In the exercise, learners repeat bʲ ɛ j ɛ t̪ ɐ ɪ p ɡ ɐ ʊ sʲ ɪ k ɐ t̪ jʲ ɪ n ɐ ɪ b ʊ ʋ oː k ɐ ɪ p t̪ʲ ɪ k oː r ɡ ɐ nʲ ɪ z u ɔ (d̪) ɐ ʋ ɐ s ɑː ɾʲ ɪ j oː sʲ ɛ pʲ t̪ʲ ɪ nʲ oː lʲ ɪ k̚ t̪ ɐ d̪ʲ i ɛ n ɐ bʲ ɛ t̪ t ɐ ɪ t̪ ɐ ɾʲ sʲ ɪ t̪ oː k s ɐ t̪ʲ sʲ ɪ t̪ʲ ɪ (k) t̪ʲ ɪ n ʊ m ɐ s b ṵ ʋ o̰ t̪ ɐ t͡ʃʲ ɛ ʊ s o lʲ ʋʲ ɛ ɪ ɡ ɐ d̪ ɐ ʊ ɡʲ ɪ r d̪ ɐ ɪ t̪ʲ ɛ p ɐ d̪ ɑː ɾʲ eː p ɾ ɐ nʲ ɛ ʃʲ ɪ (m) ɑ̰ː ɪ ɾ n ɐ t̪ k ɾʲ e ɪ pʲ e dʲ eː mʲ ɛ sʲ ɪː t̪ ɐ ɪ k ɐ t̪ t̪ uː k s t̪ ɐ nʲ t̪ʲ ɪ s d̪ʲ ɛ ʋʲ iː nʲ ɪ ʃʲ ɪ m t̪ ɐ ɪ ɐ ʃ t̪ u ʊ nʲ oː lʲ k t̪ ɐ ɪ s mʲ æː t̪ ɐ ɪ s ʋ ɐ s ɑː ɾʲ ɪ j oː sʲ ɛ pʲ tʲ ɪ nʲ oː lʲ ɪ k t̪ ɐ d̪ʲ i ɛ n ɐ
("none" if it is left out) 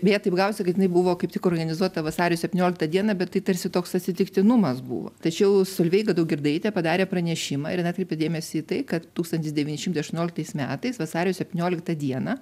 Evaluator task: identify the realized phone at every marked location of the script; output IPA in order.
t̪, k, m

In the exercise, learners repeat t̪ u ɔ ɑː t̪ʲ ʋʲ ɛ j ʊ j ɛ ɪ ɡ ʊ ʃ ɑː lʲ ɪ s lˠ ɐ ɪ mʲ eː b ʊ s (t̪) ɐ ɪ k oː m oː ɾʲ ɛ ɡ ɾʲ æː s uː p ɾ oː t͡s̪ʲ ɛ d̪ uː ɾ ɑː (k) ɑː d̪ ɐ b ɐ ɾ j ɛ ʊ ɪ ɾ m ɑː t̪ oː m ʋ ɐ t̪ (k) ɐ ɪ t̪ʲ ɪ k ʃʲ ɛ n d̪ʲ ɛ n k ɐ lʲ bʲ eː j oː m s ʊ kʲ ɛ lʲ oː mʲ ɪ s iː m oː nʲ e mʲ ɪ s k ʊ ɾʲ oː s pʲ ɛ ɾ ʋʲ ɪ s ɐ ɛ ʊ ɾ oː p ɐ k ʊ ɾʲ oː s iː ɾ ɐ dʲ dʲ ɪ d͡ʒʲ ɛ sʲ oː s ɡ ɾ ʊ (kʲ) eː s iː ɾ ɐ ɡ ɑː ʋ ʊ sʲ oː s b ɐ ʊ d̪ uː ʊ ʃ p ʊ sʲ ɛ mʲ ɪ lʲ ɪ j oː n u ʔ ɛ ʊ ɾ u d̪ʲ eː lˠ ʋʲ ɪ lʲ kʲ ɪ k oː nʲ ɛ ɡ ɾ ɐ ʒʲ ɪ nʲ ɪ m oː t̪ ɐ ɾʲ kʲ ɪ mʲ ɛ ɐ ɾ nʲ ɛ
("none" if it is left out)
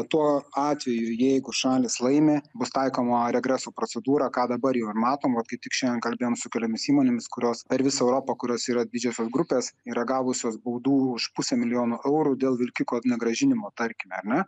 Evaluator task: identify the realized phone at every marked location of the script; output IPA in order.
t̪, k, k, pʲ

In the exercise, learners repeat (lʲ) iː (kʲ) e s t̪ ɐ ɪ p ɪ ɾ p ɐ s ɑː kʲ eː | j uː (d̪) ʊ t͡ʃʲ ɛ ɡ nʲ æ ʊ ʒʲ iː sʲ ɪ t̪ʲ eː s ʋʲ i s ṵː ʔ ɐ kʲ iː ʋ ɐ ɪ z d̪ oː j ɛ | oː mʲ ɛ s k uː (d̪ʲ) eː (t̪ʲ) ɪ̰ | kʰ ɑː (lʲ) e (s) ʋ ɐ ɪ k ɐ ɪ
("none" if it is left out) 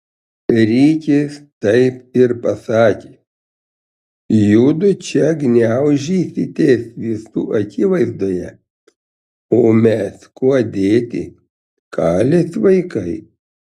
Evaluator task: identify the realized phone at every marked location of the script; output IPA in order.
ɾʲ, kʲ, d̪, d̪ʲ, t̪ʲ, lʲ, s

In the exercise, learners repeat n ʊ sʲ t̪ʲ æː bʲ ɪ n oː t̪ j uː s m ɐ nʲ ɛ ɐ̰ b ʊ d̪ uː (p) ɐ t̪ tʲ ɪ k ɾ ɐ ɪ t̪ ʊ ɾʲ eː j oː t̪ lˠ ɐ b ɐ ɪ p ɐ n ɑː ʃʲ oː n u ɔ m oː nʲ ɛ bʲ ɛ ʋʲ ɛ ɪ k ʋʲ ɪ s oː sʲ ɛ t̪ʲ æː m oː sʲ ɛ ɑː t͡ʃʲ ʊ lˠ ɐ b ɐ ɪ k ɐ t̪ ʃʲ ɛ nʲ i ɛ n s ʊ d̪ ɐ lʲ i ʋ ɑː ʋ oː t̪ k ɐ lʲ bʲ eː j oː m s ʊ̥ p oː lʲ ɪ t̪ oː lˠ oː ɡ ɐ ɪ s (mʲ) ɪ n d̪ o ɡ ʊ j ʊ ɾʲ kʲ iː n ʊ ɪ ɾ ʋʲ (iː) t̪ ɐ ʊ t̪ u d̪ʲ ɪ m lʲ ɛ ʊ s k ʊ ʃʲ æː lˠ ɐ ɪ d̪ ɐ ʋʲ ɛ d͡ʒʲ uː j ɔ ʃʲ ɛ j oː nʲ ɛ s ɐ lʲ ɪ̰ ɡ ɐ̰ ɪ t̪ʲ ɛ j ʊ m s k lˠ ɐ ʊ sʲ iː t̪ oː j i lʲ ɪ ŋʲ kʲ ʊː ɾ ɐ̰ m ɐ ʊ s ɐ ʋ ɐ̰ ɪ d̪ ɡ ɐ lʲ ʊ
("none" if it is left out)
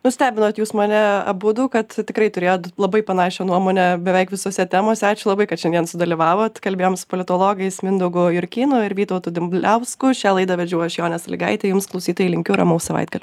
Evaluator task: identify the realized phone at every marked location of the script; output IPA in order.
k, mʲ, iː

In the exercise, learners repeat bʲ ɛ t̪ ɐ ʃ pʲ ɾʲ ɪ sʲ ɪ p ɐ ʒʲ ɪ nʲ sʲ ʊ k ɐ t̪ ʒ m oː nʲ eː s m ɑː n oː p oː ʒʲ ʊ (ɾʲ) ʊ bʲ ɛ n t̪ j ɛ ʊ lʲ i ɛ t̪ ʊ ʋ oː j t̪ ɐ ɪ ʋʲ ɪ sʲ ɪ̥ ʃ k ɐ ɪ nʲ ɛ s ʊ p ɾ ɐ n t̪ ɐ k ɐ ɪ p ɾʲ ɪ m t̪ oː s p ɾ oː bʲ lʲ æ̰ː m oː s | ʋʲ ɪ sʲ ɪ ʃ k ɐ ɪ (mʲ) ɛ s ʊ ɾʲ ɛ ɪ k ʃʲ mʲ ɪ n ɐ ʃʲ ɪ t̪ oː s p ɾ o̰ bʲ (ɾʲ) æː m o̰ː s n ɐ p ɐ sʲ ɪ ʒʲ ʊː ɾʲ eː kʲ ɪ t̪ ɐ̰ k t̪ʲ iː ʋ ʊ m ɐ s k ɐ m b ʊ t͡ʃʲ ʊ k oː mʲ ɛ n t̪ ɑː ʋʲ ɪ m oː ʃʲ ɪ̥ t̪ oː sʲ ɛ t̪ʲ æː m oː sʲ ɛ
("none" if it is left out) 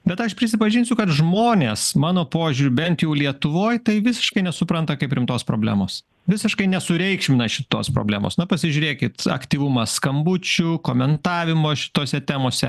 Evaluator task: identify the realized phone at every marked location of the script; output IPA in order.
ɾʲ, nʲ, lʲ

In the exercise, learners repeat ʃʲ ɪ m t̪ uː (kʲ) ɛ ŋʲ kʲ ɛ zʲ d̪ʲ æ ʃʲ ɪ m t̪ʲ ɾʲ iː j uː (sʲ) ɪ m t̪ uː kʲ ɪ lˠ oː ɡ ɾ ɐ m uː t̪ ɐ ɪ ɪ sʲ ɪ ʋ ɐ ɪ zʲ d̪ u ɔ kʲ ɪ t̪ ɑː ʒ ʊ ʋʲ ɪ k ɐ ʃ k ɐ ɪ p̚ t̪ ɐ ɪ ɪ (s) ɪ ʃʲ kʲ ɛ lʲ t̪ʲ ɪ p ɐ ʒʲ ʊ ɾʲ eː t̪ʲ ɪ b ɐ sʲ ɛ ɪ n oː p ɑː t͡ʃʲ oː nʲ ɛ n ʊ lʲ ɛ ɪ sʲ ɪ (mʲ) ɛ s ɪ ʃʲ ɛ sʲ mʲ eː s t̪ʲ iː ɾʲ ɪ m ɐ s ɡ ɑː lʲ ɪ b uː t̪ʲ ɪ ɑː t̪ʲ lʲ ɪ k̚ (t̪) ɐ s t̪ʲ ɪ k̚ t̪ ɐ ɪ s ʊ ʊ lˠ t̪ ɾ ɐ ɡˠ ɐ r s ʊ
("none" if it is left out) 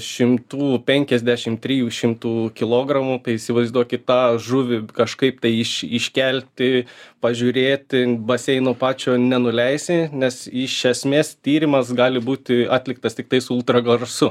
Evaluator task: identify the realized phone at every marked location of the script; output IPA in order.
pʲ, ʃʲ, ʃ, nʲ, t̪

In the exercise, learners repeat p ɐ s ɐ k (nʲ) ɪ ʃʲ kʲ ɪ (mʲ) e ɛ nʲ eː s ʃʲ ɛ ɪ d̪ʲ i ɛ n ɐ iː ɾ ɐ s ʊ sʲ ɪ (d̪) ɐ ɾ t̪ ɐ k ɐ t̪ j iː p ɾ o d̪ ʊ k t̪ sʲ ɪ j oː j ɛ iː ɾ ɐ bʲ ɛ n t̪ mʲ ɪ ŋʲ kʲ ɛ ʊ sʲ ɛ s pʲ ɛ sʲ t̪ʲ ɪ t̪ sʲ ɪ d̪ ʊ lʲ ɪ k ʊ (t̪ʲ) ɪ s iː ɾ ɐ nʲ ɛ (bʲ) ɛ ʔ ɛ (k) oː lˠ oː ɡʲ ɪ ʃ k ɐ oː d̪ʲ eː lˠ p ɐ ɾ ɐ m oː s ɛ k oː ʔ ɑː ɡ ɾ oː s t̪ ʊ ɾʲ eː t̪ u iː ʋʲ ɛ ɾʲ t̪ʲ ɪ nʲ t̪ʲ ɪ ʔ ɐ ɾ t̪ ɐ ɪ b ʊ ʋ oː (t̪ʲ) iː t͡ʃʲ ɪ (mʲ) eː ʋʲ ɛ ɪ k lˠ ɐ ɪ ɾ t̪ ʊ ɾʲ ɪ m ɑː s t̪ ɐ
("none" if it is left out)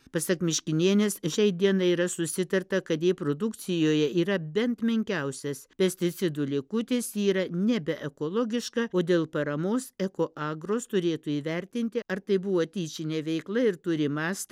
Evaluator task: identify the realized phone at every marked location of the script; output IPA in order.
mʲ, nʲ, t̪, t̪ʲ, bʲ, k, t̪ʲ, nʲ

